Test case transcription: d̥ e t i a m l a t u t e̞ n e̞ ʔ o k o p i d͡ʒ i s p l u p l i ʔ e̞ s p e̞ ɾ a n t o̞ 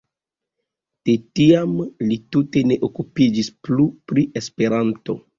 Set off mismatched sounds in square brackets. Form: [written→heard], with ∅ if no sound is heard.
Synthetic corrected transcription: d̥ e t i a m l [a→i] t u t e̞ n e̞ ʔ o k [o→u] p i d͡ʒ i s p l u p [l→ɾ] i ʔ e̞ s p e̞ ɾ a n t o̞